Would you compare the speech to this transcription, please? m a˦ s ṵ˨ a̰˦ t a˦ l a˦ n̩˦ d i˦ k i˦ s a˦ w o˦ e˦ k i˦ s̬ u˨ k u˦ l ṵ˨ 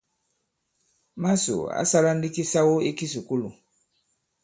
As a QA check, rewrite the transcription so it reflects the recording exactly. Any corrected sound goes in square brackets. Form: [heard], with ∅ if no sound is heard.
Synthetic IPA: m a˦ s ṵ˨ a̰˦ [s] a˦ l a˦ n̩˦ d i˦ k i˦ s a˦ w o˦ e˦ k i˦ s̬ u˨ k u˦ l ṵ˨